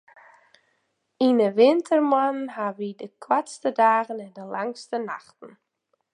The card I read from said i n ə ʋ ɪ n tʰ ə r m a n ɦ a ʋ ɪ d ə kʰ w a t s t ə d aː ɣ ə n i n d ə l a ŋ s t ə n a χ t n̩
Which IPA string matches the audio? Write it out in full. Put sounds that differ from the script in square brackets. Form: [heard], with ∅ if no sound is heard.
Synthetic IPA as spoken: i n ə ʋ ɪ n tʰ ə r m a n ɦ a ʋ [i] d ə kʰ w a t s t ə d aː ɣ ə n [ɛ] n d ə l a ŋ s t ə n a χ t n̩